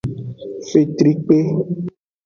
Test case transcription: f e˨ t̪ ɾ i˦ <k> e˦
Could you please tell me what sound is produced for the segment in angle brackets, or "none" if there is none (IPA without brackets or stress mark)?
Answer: k͡p